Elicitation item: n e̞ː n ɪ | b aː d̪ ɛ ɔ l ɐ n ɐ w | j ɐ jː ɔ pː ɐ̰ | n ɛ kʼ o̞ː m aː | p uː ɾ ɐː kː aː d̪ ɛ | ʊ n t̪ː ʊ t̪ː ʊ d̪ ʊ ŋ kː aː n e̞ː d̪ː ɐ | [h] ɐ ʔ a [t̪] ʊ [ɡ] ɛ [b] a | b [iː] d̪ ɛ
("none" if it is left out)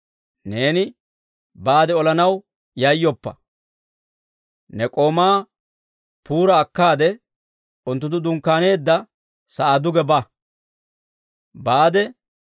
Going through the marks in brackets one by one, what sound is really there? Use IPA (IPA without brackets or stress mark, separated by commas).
s, d̪, ɡ, b, aː